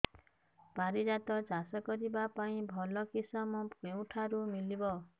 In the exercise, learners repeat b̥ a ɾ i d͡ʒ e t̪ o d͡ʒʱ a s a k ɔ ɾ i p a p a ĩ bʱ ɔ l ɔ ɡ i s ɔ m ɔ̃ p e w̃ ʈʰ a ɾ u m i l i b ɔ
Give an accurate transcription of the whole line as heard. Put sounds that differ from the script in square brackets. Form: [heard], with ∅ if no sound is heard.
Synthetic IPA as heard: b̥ a ɾ i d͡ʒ [a] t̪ [ɔ] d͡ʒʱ a s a k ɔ ɾ i [b] a p a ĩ bʱ ɔ l ɔ [k] i s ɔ m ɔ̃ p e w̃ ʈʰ a ɾ u m i l i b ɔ